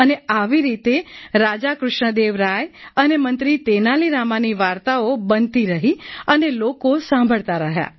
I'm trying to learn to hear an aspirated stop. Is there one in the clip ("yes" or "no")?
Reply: no